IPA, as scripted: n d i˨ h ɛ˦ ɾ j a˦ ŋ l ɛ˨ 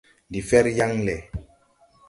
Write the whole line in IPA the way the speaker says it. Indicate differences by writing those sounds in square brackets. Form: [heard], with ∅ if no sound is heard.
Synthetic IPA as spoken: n d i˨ [f] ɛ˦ ɾ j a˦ ŋ l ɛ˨